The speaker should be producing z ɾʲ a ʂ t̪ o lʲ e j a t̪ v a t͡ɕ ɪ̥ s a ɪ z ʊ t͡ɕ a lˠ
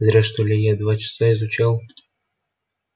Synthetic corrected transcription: z ɾʲ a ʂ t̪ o lʲ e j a d̪ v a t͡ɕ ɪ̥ s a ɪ z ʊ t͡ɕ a lˠ